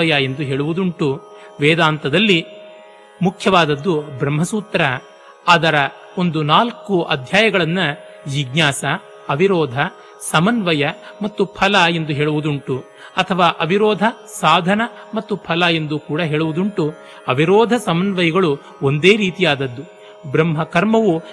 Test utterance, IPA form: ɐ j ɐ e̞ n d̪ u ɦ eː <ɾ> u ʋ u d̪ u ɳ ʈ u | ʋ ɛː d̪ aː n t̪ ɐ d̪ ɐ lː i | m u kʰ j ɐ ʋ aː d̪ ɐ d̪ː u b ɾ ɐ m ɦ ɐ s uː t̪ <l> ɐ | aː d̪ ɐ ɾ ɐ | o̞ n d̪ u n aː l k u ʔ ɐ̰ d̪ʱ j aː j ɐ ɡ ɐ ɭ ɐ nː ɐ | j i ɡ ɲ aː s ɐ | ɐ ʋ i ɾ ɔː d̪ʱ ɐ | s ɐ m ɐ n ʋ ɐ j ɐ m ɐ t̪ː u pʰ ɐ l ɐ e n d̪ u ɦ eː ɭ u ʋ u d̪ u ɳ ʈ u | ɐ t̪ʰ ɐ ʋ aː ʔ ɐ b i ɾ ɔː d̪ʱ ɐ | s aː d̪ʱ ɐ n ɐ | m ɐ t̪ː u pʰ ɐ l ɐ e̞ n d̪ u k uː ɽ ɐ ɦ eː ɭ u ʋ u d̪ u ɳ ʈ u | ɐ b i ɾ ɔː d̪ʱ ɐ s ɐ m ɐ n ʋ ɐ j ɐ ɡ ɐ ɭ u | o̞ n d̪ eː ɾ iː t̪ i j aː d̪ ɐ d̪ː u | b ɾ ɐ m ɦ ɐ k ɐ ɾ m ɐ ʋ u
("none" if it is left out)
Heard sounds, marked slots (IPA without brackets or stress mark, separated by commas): ɭ, ɾ